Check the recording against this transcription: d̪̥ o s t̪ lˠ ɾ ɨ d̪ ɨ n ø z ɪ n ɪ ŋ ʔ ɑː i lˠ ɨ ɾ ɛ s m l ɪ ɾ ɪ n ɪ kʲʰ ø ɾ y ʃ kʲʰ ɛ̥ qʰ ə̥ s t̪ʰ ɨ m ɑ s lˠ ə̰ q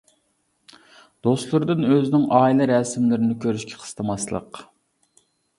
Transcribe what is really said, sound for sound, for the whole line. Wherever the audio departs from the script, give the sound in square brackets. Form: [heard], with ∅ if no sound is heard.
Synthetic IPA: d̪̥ o s t̪ lˠ ɾ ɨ d̪ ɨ n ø z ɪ n ɪ ŋ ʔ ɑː i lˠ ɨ ɾ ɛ s m l ɪ ɾ ɪ n ɪ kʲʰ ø ɾ y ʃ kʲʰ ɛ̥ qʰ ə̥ s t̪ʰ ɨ m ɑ s lˠ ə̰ q